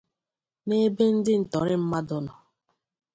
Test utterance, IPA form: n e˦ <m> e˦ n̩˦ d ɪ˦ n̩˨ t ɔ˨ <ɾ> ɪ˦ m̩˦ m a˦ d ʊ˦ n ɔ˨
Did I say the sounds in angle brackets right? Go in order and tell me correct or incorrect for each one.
incorrect: b, correct

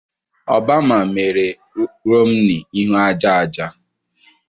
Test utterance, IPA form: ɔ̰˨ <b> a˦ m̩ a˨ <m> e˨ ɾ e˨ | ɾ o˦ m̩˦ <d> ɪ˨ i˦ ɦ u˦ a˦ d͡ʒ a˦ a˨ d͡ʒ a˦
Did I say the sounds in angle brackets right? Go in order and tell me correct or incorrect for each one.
correct, correct, incorrect: n

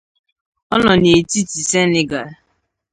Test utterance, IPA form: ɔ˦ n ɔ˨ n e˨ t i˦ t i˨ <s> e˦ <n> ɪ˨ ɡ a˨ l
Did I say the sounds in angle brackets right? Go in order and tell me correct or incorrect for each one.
correct, correct

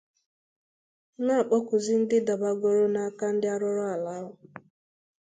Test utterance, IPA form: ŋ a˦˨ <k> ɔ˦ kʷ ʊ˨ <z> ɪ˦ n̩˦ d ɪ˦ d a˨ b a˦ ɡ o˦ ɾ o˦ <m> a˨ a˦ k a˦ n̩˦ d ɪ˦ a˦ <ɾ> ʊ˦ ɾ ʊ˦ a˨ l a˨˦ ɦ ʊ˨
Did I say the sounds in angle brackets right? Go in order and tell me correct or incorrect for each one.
incorrect: k͡p, correct, incorrect: n, correct

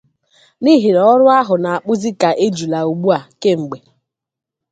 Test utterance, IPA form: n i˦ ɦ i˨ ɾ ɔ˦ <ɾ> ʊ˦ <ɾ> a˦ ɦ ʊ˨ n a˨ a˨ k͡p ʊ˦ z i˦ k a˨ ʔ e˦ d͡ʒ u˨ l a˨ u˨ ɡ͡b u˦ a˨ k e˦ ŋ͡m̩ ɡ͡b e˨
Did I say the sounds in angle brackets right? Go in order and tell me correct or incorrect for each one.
correct, incorrect: none

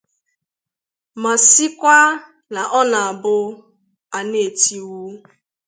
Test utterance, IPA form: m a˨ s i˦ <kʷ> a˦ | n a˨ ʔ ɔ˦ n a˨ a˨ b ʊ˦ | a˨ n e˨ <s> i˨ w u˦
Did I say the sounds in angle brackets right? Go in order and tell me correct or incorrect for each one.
correct, incorrect: t

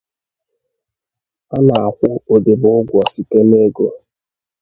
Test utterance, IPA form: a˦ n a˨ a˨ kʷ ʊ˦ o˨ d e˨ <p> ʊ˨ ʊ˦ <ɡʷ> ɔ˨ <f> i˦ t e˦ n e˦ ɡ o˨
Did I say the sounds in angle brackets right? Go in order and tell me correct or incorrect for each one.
incorrect: b, correct, incorrect: s

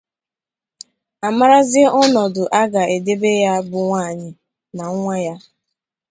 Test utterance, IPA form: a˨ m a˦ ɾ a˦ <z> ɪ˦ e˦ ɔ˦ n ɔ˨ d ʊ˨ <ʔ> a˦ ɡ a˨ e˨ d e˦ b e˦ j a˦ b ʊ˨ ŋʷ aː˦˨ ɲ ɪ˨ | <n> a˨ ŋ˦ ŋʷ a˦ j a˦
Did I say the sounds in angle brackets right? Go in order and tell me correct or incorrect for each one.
correct, correct, correct

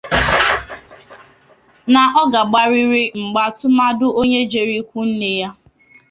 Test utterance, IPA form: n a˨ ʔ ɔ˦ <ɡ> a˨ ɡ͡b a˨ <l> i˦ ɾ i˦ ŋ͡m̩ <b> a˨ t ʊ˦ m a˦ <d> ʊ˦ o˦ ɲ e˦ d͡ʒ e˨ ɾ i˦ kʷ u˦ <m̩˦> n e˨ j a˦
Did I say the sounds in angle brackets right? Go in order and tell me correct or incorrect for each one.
correct, incorrect: ɾ, incorrect: ɡ͡b, correct, incorrect: n̩˦

